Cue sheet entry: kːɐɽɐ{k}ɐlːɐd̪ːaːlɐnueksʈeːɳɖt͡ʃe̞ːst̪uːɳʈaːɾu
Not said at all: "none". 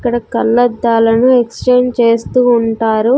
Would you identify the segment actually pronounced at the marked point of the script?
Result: k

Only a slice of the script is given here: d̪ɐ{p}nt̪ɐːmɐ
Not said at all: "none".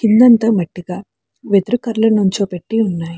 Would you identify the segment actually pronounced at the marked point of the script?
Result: none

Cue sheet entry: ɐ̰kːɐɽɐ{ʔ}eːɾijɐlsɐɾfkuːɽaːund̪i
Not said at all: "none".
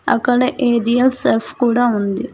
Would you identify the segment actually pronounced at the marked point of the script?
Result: ʔ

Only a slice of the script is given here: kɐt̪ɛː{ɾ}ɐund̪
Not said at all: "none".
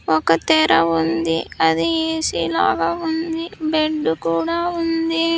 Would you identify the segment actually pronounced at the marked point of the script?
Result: ɾ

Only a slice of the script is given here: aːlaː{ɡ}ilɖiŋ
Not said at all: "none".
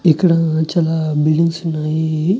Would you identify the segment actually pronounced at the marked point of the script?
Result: b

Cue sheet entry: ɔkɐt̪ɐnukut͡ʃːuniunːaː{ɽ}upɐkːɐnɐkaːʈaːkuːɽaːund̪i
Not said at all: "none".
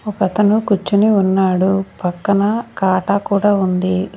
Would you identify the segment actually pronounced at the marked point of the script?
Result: ɽ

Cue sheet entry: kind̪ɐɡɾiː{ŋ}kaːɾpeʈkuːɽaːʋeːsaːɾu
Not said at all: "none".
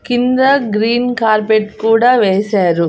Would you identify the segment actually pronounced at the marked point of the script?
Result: n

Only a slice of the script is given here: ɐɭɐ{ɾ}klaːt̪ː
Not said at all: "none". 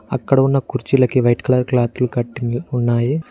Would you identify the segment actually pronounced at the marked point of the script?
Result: ɾ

